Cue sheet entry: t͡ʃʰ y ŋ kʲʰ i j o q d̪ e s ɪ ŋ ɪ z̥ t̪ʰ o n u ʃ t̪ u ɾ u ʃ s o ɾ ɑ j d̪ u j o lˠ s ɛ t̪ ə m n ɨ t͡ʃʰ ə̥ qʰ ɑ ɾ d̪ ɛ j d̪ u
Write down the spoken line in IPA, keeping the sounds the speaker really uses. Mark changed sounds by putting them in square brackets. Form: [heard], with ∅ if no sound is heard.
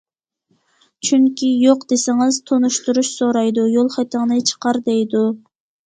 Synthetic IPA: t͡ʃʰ y ŋ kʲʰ i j o q d̪ e s ɪ ŋ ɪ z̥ t̪ʰ o n u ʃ t̪ u ɾ u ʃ s o ɾ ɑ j d̪ u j o lˠ [χ] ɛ t̪ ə [ŋ] n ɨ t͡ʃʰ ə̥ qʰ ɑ ɾ d̪ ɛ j d̪ u